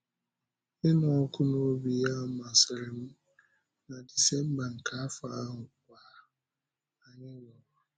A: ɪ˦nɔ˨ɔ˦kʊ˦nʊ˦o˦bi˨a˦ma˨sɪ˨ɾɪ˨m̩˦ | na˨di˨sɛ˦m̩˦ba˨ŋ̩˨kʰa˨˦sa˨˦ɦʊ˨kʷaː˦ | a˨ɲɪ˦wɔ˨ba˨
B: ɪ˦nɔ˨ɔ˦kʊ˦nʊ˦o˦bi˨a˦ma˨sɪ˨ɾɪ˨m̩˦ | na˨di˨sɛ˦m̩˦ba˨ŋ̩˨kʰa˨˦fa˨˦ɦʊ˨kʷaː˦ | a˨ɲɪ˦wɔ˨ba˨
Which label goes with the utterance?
B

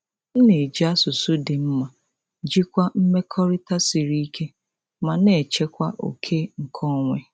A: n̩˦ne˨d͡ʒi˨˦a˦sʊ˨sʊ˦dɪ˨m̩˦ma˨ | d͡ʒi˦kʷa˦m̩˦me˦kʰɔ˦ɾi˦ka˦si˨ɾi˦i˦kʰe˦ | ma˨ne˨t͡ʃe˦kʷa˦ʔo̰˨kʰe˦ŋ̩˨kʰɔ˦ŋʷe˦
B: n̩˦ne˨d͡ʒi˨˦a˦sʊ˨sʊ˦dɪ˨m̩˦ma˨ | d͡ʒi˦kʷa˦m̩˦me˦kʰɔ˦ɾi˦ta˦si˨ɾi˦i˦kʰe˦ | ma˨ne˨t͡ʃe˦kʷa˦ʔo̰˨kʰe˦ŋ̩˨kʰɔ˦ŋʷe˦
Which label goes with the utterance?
B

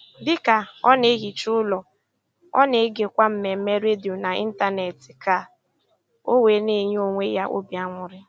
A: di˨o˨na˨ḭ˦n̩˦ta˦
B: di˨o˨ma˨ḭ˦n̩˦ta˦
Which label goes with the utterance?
A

